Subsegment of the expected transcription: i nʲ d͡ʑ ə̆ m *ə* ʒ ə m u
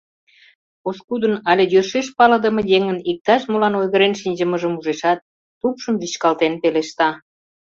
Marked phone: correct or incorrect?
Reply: correct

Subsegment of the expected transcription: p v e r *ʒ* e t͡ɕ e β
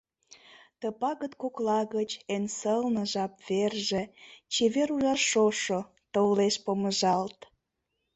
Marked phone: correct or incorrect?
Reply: correct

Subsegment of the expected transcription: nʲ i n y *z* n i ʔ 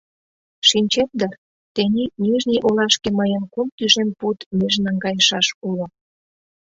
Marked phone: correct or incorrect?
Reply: incorrect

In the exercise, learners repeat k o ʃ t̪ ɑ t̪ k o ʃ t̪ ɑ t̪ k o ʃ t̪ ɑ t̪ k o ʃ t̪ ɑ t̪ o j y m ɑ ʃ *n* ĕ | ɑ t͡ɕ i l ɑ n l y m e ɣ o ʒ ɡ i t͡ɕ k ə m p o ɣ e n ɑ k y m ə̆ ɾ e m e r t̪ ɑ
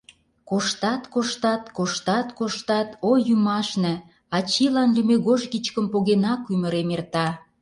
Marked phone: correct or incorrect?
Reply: correct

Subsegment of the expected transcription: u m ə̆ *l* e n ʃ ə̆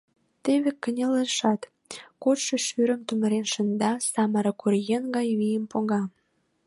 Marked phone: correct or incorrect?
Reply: incorrect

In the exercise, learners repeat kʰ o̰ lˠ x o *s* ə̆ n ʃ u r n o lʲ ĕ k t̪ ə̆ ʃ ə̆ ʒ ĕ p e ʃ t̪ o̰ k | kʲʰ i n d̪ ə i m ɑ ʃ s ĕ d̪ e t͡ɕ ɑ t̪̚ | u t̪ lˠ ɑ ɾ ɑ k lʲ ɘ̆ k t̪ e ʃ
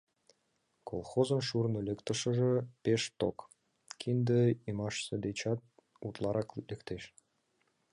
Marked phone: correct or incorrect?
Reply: incorrect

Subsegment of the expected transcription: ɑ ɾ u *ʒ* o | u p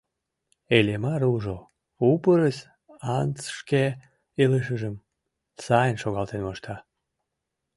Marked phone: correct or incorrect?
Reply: correct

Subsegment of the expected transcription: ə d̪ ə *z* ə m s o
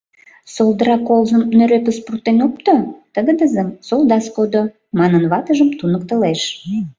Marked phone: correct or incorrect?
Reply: correct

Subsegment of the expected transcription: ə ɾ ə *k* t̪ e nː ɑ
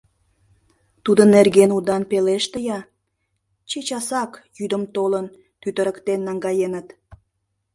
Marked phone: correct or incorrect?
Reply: correct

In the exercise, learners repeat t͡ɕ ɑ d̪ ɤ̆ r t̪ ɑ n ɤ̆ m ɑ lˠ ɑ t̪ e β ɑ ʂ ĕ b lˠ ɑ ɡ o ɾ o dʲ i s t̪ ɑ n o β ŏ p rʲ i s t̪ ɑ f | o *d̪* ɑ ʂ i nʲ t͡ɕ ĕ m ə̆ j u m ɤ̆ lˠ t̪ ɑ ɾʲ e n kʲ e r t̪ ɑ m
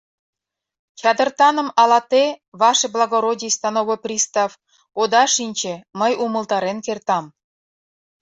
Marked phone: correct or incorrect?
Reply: correct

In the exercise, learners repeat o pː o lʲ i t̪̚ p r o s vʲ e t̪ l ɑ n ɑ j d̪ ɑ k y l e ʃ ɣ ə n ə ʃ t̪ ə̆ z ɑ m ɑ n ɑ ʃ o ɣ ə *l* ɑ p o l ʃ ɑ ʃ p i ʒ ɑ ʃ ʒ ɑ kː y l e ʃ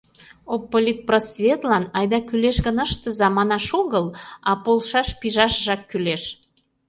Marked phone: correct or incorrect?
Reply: correct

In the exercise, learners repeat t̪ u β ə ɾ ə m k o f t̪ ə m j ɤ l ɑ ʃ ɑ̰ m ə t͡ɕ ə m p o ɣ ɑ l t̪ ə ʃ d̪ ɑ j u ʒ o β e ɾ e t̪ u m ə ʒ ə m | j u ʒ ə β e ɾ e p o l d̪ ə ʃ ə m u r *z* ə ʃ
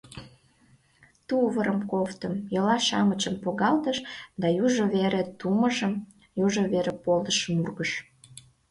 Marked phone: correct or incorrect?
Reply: incorrect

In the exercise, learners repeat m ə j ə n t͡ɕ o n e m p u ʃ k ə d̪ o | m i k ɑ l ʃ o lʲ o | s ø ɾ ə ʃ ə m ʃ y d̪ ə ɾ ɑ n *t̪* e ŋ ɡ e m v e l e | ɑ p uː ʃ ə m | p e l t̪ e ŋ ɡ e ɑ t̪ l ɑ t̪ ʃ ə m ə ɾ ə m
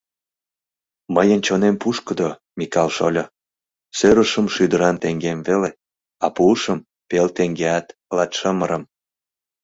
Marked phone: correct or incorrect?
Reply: correct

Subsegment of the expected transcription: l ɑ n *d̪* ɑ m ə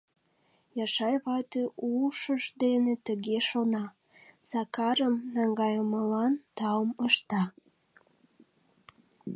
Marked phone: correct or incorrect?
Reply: incorrect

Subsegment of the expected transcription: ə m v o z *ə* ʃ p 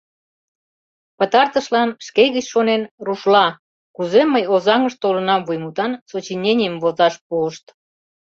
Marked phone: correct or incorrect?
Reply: incorrect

